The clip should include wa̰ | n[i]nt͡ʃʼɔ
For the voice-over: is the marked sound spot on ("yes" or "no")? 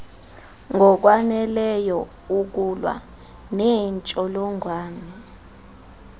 no